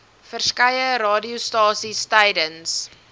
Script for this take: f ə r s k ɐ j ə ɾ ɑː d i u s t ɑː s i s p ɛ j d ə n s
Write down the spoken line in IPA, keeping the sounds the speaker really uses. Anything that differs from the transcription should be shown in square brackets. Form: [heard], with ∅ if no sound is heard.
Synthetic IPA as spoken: f ə r s k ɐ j ə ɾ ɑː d i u s t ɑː s i s [t] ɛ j d ə n s